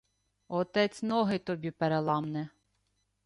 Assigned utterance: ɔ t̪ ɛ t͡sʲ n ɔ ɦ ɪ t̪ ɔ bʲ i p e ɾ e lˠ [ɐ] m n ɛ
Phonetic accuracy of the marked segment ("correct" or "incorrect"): incorrect